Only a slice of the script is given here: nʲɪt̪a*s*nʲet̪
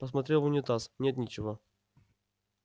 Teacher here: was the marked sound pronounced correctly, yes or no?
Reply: yes